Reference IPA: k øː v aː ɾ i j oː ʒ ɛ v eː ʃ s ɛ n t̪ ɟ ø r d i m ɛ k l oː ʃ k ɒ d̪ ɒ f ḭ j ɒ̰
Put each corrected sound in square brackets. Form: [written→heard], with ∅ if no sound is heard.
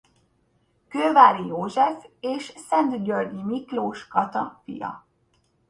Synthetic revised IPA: k øː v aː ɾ i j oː ʒ ɛ [v→f] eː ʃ s ɛ n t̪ ɟ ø r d i m [ɛ→i] k l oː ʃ k ɒ [d̪→t̪] ɒ f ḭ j ɒ̰